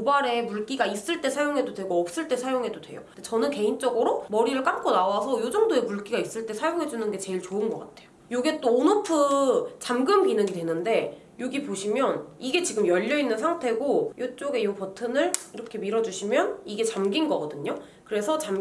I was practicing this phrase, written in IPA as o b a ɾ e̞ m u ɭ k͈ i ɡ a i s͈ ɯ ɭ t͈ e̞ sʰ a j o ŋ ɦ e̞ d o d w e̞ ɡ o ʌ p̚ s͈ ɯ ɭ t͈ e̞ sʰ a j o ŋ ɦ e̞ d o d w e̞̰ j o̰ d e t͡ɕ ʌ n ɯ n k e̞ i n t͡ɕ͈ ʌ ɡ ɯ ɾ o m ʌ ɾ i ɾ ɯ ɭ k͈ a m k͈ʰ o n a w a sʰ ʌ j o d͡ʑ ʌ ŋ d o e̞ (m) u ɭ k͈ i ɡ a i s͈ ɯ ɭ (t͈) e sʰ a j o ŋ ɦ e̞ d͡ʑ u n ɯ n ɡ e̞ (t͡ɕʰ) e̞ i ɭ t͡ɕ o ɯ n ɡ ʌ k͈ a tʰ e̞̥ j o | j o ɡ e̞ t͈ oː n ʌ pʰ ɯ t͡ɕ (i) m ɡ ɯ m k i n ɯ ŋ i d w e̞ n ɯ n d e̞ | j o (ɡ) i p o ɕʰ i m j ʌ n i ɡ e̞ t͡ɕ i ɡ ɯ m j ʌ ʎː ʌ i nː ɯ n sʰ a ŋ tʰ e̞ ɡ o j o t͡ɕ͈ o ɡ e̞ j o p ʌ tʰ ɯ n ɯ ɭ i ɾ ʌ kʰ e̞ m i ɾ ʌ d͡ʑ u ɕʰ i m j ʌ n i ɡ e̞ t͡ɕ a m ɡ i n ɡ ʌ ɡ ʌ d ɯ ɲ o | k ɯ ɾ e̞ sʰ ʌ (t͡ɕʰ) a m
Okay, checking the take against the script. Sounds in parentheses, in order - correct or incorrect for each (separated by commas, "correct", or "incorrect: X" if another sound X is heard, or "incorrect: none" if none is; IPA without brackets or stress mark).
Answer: correct, correct, incorrect: t͡ɕ, incorrect: a, correct, incorrect: t͡ɕ